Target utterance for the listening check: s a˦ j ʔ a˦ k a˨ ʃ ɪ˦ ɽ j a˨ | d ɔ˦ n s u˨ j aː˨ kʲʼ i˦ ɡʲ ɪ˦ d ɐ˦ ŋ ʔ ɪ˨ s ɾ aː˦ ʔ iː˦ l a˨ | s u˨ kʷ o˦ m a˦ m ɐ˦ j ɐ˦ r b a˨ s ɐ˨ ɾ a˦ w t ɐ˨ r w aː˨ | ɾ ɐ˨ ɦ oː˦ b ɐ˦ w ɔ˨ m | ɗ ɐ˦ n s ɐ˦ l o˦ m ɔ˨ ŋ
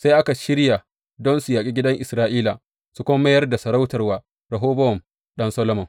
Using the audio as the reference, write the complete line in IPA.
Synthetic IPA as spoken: s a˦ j ʔ a˦ k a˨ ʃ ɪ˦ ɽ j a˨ | d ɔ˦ n s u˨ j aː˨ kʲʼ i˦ ɡʲ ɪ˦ d ɐ˦ ŋ ʔ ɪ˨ s ɾ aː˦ ʔ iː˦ l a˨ | s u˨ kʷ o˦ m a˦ m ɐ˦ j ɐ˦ r d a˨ s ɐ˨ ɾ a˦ w t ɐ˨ r w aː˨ | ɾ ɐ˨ ɦ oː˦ b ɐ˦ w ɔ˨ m | ɗ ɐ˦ n s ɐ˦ l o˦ m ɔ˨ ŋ

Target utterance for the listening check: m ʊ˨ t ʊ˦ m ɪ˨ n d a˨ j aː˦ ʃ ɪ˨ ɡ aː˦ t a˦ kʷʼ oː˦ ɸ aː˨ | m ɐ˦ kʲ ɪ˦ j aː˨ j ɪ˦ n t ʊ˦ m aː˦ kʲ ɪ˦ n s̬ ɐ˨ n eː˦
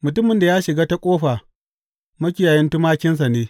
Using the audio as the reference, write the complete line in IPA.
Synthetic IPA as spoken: m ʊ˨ t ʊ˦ m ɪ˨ n d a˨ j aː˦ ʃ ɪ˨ ɡ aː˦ t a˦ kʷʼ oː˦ ɸ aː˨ | m ɐ˦ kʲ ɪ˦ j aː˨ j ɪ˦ n t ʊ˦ m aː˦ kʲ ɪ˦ n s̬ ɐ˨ n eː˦

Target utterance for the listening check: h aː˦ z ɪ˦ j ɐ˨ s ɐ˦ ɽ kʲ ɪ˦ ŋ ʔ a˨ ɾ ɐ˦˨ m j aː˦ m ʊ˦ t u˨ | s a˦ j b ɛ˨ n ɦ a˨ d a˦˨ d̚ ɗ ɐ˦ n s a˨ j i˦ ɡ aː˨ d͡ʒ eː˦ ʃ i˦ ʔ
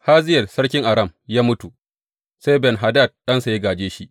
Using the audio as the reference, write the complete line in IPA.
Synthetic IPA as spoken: h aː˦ z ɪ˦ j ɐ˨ s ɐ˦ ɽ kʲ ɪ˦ ŋ ʔ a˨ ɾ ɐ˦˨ m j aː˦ m ʊ˦ t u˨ | s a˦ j b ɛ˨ n ɦ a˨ d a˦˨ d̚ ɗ ɐ˦ n s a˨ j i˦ ɡ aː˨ d͡ʒ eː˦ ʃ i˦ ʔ

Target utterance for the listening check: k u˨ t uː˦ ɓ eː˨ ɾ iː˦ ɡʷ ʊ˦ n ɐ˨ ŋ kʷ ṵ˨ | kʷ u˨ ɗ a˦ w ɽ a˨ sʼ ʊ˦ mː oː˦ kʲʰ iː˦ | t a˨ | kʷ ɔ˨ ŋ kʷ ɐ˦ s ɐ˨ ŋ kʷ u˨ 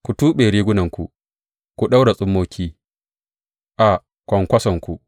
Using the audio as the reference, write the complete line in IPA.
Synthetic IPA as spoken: k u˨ t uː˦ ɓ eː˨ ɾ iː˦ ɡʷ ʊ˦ n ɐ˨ ŋ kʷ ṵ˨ | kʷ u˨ ɗ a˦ w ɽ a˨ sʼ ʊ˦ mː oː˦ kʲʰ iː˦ | ʔ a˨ | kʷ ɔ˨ ŋ kʷ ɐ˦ s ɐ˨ ŋ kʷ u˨

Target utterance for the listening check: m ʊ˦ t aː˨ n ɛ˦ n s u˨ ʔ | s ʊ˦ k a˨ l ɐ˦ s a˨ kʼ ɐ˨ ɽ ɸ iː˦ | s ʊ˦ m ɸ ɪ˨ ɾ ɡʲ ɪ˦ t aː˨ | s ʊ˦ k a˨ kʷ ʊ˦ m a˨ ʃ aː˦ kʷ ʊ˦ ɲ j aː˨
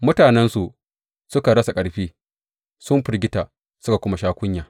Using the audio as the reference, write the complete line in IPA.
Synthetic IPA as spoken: m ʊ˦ t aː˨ n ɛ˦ n s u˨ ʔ | s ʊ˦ k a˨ ɽ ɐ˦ s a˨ kʼ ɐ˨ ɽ ɸ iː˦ | s ʊ˦ m ɸ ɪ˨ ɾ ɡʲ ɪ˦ t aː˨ | s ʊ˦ k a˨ kʷ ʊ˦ m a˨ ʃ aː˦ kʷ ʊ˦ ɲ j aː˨

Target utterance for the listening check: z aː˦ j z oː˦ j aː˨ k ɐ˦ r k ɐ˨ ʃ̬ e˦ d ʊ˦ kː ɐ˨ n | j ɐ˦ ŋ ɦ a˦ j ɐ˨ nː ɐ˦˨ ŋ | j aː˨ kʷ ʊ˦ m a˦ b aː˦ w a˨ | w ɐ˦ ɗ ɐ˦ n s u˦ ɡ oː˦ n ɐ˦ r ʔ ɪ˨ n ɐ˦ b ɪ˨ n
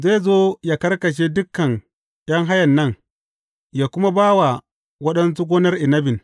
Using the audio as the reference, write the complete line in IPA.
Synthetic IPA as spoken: z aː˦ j z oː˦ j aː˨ k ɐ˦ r k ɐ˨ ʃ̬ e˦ d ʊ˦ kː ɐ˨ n | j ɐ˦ ŋ ɦ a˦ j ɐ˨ nː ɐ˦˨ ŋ | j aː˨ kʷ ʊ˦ m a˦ b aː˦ w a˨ | w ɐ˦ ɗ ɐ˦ n s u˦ ɡ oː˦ n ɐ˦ r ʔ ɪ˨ n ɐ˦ b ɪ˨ n

